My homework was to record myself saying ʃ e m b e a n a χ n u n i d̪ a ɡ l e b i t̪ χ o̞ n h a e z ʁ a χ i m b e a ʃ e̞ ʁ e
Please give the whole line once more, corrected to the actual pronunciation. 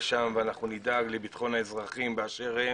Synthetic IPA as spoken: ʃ a m v e a n a χ n u n i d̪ a ɡ l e b i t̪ χ o̞ n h a e z ʁ a χ i m b e a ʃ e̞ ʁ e